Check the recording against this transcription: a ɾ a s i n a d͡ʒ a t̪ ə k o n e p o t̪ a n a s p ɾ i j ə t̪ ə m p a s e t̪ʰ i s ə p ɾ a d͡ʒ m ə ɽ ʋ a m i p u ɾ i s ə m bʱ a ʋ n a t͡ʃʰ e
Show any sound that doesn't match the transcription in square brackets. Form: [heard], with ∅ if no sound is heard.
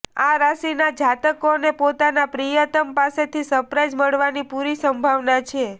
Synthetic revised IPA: a ɾ a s i n a d͡ʒ a t̪ ə k o n e p o t̪ a n a [∅] p ɾ i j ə t̪ ə m p a s e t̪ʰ i s ə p ɾ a d͡ʒ m ə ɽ ʋ a [n] i p u ɾ i s ə m bʱ a ʋ n a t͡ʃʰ e